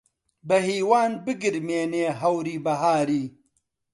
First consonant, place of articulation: labial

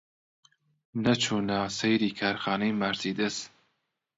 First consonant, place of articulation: alveolar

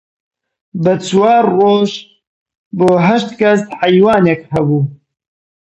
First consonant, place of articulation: labial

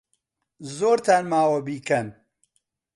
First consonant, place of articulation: alveolar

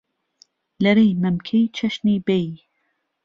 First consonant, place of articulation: alveolar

